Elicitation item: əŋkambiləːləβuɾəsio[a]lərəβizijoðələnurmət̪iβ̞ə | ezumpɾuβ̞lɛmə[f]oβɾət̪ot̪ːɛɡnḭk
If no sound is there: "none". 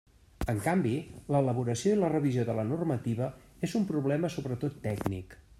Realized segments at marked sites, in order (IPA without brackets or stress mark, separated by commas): i, s